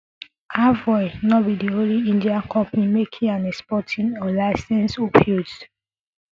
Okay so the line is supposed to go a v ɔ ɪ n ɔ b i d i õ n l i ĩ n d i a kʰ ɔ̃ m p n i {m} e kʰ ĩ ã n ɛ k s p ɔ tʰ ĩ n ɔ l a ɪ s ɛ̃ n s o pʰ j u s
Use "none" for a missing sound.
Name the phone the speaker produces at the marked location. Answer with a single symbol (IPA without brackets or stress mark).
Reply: m